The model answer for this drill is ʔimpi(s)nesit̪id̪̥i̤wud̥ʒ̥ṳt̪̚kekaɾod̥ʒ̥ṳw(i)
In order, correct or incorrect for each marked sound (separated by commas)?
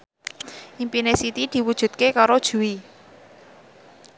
incorrect, correct